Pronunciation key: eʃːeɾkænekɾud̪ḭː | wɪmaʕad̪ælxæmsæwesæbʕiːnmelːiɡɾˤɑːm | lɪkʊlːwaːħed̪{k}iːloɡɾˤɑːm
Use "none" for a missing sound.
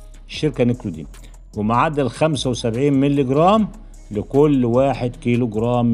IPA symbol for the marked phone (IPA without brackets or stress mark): k